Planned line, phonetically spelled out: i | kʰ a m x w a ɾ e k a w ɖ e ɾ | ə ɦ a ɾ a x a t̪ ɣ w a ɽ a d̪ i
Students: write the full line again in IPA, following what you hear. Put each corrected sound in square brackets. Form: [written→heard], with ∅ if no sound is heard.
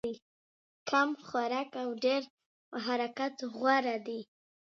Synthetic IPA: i | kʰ a m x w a ɾ [e→a] k a w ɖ e ɾ | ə ɦ a ɾ a [x→k] a t̪ ɣ w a [ɽ→ɾ] a d̪ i